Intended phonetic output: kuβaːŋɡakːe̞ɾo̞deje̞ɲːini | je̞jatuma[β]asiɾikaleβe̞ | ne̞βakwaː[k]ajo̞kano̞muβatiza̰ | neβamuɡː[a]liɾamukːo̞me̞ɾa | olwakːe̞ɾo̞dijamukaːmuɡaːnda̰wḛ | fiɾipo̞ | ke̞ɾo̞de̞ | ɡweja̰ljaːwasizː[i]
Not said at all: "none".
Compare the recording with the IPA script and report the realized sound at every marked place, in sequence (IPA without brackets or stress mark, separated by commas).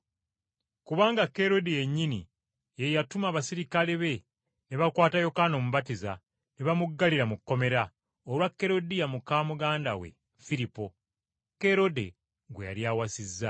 β, t, a, a